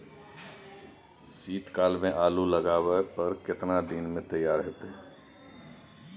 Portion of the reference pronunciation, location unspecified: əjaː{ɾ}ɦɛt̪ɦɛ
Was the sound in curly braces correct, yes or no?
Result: yes